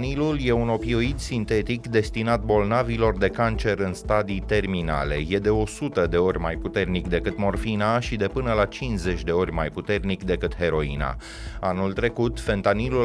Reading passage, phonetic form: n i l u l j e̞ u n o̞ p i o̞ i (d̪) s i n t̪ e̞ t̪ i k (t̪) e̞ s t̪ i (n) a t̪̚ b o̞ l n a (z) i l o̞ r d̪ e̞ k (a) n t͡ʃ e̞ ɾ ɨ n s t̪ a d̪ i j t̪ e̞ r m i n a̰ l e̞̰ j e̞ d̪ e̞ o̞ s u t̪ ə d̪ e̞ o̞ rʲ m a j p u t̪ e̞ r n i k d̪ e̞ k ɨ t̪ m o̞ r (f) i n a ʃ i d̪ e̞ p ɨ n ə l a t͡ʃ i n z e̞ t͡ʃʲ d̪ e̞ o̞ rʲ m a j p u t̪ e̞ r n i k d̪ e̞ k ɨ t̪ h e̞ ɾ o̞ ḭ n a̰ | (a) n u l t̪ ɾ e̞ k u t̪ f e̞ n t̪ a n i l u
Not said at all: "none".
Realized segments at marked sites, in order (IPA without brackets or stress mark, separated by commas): d̪, d̪, n, v, a, f, a